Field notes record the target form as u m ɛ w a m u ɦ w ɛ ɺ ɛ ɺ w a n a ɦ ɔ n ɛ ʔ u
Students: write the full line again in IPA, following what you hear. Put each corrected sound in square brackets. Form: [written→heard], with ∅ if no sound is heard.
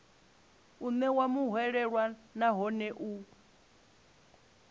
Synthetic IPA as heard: u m ɛ w a m u ɦ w ɛ ɺ ɛ ɺ w a n a ɦ ɔ n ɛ ʔ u